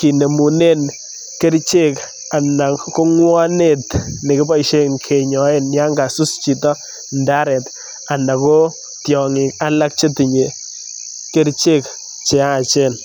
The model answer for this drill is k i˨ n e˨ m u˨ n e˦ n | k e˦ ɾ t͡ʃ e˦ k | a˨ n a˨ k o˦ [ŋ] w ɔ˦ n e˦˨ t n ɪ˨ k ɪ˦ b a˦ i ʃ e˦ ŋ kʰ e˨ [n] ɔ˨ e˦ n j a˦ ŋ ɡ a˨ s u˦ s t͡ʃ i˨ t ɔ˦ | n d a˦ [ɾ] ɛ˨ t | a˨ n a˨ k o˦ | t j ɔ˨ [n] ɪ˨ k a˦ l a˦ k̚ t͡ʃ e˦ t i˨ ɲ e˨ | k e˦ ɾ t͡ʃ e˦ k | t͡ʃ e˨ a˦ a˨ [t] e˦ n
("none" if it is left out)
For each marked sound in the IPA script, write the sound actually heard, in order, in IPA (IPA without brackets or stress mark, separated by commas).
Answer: ŋ, ɲ, ɾ, ŋ, t͡ʃ